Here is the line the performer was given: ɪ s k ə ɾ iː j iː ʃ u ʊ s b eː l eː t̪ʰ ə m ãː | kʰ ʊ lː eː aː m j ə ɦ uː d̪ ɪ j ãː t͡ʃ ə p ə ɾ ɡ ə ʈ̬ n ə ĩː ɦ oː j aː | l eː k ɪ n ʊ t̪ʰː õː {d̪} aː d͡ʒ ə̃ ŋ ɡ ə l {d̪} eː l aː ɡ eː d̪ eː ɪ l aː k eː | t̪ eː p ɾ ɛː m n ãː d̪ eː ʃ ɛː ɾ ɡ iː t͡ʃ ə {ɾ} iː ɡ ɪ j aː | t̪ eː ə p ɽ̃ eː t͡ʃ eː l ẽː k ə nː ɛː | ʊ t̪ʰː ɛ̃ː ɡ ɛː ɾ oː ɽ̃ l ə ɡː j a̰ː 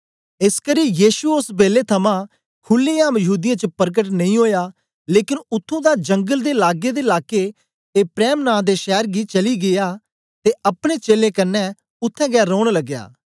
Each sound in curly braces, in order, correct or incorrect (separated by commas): correct, correct, incorrect